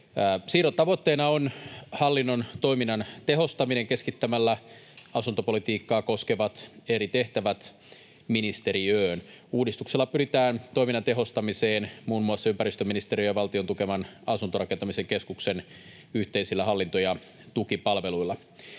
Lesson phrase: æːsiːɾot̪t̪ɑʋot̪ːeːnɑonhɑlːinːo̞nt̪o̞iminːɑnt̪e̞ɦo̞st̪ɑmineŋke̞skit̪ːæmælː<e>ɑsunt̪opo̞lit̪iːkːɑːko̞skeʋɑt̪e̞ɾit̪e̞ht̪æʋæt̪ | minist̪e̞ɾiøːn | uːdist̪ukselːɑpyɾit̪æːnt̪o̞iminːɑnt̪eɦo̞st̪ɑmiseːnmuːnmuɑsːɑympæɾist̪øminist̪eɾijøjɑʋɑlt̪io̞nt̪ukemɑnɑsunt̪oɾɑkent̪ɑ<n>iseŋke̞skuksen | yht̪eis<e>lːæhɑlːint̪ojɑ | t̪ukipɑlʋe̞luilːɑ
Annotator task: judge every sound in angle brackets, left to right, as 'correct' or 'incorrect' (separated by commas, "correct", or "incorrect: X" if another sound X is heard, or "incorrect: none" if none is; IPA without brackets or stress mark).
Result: incorrect: æ, incorrect: m, incorrect: i